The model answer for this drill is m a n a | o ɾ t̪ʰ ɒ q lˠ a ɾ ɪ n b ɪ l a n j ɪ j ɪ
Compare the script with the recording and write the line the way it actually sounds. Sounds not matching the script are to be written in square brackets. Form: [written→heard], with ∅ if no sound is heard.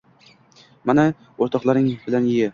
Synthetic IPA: m a n a | o ɾ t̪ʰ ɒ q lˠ a ɾ ɪ [n→ŋ] b ɪ l a n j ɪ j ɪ